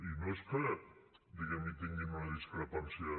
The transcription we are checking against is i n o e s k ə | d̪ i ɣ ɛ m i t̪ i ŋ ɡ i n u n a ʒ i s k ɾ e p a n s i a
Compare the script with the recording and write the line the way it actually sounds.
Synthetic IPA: i n o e s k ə | d̪ i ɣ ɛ m i t̪ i ŋ ɡ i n u n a ð i s k ɾ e p a n s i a